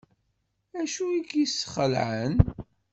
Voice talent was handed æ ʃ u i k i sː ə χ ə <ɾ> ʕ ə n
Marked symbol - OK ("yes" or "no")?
no